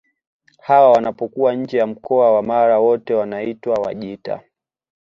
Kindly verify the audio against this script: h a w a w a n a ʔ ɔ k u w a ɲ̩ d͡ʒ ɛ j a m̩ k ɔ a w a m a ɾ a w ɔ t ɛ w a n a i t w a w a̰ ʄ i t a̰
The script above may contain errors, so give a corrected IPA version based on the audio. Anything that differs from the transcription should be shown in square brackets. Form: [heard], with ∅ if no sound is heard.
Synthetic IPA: h a w a w a n a [p] ɔ k u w a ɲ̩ d͡ʒ ɛ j a m̩ k ɔ a w a m a ɾ a w ɔ t ɛ w a n a i t w a w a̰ ʄ i t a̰